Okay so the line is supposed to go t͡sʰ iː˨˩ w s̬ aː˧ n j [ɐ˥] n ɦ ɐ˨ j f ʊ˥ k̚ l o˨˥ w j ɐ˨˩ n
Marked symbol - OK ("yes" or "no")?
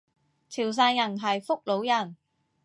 no